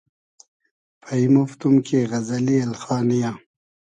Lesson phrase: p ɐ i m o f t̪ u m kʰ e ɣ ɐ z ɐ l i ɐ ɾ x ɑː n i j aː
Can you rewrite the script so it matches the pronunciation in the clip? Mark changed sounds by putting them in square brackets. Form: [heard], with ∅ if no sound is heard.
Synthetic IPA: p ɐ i m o f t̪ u m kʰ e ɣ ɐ z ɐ l i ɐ [l] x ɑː n i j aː